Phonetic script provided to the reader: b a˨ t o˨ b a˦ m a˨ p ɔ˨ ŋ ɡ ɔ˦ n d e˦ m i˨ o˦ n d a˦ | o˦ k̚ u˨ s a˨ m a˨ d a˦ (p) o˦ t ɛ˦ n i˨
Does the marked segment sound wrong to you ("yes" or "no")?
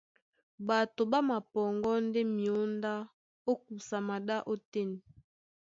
yes